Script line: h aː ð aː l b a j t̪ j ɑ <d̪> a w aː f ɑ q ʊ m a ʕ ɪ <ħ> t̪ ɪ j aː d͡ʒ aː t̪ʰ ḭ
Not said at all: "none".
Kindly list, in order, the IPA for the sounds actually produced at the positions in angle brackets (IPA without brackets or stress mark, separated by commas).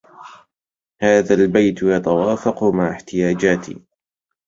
t̪, ħ